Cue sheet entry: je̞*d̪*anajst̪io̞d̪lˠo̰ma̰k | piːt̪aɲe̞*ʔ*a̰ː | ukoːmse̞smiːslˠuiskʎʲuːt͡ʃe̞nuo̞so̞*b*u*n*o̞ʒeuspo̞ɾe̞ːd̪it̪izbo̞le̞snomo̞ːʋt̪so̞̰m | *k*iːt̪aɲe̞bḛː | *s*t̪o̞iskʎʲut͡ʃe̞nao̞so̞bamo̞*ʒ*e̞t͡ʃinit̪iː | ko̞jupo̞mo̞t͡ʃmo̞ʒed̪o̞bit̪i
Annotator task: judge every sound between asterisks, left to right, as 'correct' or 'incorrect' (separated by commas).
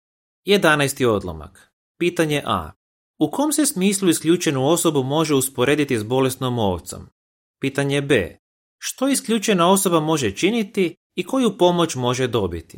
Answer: correct, correct, correct, incorrect, incorrect, incorrect, correct